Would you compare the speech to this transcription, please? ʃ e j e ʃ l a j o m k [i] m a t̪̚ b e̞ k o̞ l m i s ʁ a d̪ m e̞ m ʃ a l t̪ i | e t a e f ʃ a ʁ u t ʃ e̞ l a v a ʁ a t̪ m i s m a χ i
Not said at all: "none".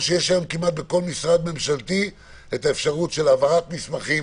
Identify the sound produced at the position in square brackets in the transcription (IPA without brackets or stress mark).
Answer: i